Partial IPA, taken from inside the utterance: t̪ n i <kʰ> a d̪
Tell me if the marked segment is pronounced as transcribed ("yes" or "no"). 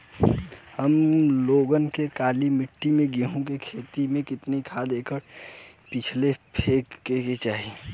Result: yes